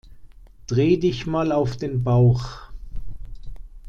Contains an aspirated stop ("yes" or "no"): no